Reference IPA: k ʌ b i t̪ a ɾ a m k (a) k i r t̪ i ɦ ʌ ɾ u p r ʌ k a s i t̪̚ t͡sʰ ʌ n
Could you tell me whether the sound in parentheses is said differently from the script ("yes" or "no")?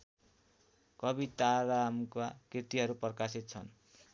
no